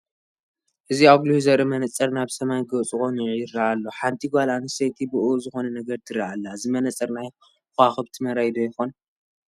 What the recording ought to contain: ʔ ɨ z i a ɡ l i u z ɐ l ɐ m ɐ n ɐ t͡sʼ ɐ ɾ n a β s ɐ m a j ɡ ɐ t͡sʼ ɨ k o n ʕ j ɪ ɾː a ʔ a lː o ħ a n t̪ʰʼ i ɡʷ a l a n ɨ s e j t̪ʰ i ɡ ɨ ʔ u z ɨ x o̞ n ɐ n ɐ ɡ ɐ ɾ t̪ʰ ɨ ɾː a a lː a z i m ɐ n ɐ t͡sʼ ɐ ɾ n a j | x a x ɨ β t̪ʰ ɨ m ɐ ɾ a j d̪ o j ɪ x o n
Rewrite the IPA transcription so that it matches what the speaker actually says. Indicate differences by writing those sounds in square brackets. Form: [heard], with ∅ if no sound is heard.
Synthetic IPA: ʔ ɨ z i a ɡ l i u z ɐ [ɾ] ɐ m ɐ n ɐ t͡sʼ ɐ ɾ n a β s ɐ m a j ɡ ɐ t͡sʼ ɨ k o n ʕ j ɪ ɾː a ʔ a lː o ħ a n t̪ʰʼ i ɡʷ a l a n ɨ s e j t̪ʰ i [b] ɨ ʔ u z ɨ x o̞ n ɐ n ɐ ɡ ɐ ɾ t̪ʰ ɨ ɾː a a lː a z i m ɐ n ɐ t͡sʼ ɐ ɾ n a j | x a x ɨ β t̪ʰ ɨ m ɐ ɾ a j d̪ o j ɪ x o n